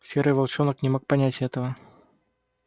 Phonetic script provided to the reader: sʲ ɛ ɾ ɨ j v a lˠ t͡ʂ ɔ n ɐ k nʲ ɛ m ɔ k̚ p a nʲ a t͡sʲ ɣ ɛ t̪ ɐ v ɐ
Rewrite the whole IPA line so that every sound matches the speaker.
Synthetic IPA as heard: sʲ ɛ ɾ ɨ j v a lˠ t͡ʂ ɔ n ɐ k nʲ ɛ m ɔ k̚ p a nʲ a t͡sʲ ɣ ɛ t̪ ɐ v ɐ